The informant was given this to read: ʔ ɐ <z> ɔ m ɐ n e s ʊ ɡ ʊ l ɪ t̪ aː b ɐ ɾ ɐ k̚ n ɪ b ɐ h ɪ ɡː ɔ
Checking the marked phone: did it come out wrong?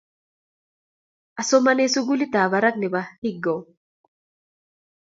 yes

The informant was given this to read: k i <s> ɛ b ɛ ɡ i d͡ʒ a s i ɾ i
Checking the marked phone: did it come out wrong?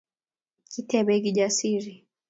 yes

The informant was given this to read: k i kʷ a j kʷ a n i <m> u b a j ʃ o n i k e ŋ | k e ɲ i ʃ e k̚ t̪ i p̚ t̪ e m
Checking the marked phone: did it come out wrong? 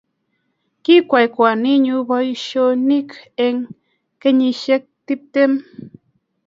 yes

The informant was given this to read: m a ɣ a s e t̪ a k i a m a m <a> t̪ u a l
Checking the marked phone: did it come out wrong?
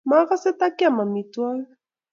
yes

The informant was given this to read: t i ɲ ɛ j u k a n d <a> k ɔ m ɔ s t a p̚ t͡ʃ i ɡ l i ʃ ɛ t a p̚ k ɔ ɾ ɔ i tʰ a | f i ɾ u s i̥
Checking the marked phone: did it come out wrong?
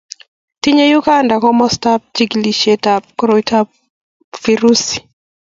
no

